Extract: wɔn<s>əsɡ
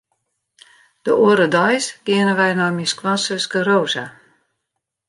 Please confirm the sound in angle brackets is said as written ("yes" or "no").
yes